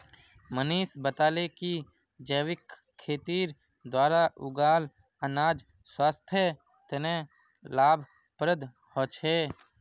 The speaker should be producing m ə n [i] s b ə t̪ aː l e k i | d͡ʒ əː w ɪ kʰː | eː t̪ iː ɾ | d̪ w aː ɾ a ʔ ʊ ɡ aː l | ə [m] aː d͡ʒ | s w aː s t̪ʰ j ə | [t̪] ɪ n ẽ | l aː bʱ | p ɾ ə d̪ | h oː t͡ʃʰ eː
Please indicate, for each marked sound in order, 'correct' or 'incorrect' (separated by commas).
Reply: incorrect, incorrect, correct